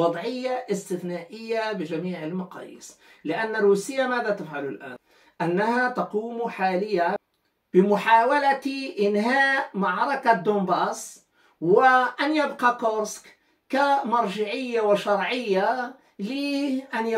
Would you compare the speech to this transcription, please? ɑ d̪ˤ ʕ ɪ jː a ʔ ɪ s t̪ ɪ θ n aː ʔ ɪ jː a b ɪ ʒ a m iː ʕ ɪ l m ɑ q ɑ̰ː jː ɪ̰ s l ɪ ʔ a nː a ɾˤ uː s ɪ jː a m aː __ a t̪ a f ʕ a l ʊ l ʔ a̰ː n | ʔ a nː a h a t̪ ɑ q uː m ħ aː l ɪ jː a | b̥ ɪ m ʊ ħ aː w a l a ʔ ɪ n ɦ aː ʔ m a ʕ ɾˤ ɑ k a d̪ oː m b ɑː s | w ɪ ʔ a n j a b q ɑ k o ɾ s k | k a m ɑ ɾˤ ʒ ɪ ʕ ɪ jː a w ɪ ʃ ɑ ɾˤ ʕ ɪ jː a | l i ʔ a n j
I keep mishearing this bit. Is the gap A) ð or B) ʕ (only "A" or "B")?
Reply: A